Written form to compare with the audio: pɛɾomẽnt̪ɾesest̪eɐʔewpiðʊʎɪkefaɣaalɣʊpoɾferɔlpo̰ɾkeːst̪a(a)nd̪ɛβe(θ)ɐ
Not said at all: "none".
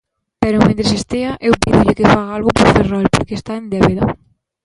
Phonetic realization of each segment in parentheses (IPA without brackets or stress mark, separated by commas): e, ð